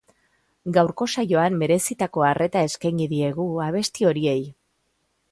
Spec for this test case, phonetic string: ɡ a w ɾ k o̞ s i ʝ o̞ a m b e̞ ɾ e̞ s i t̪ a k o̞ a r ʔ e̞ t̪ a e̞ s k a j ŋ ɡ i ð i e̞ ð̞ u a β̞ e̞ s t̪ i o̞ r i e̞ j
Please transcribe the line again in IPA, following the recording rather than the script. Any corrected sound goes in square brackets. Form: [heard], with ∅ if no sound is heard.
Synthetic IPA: ɡ a w ɾ k o̞ s [a] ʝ o̞ a m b e̞ ɾ e̞ s i t̪ a k o̞ a r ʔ e̞ t̪ a e̞ s k a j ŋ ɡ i ð i e̞ [ɣ̞] u a β̞ e̞ s t̪ i o̞ [ɾ] i e̞ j